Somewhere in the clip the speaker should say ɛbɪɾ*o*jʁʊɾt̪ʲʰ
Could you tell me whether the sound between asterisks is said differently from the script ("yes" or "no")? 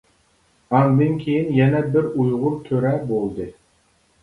yes